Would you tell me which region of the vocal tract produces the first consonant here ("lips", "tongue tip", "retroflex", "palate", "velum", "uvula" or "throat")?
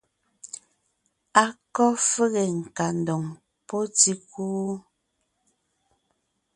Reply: velum